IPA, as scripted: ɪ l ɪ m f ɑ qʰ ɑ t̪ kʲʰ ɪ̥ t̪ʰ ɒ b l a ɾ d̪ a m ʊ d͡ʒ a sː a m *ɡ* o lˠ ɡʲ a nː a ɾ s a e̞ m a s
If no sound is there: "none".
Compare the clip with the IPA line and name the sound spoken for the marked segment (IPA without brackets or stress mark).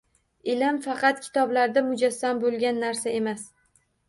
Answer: b